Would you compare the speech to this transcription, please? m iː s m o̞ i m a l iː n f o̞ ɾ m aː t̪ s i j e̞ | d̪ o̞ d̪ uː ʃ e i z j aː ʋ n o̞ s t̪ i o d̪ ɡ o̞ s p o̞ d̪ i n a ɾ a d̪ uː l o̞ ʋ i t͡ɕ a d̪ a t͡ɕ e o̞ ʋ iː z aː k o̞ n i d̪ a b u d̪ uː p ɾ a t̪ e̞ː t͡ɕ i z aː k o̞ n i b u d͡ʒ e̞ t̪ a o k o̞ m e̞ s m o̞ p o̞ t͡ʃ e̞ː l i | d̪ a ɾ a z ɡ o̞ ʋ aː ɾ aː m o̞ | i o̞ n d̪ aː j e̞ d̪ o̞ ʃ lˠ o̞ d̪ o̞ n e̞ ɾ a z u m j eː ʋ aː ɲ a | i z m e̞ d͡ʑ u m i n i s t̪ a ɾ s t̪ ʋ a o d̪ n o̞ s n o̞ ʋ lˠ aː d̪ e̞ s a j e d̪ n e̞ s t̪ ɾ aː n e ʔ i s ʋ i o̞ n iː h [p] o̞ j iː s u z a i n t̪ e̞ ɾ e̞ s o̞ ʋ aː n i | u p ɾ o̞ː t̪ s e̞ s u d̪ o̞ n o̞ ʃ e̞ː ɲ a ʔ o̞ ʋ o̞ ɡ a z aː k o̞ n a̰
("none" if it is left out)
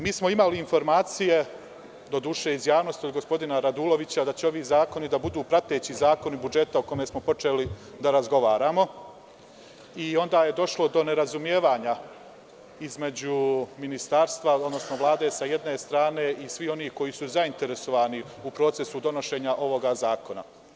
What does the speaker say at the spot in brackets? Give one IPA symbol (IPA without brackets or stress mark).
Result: k